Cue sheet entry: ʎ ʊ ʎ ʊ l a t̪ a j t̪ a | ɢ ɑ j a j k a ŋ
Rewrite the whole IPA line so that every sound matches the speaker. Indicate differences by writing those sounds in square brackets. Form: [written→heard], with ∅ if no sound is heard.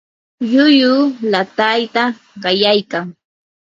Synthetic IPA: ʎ ʊ [ʎ→j] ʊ l a t̪ a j t̪ a | ɢ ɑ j a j k a ŋ